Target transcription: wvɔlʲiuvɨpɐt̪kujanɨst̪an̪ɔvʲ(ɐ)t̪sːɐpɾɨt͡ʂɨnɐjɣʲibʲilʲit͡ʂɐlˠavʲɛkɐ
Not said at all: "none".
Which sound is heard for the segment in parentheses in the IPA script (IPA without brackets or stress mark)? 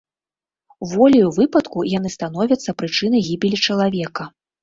ɐ